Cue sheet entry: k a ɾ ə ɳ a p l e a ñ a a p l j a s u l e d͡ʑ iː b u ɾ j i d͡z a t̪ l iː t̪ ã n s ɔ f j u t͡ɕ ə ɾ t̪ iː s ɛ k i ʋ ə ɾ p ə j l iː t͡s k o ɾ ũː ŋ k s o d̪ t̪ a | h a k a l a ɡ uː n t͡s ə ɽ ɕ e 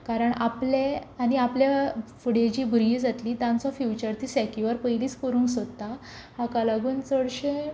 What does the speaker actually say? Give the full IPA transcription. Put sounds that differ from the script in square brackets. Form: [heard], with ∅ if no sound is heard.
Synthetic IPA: k a ɾ ə ɳ a p l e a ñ [i] a p l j a [f] u [ɽ] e d͡ʑ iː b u ɾ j i d͡z a t̪ l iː t̪ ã n [t͡s] ɔ f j u t͡ɕ ə ɾ t̪ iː s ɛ k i ʋ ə ɾ p ə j l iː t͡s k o ɾ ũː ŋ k s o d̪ t̪ a | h a k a l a ɡ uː n t͡s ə ɽ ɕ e